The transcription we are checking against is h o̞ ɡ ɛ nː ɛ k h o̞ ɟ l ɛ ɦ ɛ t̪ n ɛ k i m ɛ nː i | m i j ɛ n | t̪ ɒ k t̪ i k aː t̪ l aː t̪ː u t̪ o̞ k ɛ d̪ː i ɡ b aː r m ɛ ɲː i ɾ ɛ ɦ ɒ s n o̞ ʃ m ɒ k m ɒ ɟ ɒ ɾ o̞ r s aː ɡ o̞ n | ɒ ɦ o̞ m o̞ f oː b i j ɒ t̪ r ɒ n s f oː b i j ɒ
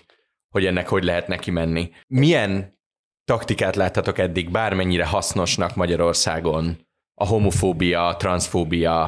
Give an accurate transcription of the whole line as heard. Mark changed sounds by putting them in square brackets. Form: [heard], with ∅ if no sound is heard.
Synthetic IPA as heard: h o̞ [ɟ] ɛ nː ɛ k h o̞ ɟ l ɛ ɦ ɛ t̪ n ɛ k i m ɛ nː i | m i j ɛ n | t̪ ɒ k t̪ i k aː t̪ l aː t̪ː [ɒ] t̪ o̞ k ɛ d̪ː i ɡ b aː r m ɛ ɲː i ɾ ɛ ɦ ɒ s n o̞ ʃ [n] ɒ k m ɒ ɟ ɒ ɾ o̞ r s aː ɡ o̞ n | ɒ ɦ o̞ m o̞ f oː b i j ɒ t̪ r ɒ n s f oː b i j ɒ